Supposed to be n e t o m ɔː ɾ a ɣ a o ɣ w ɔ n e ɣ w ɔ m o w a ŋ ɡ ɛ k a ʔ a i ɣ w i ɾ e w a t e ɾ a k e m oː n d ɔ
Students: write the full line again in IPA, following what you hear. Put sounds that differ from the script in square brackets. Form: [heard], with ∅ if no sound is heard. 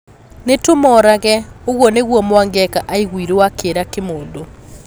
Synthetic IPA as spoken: n e t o m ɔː ɾ a ɣ [ɛ] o ɣ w ɔ n e ɣ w ɔ m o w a ŋ ɡ ɛ k a ʔ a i ɣ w i ɾ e w a [k] e ɾ a k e m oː n d [o]